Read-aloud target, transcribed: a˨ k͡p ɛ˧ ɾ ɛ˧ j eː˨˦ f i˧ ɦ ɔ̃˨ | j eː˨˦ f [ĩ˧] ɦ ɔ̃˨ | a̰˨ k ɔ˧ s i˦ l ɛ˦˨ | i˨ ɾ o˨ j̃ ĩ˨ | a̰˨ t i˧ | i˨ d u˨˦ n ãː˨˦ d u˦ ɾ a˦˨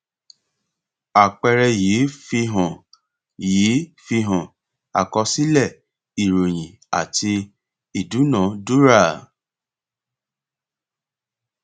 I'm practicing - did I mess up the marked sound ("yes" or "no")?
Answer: yes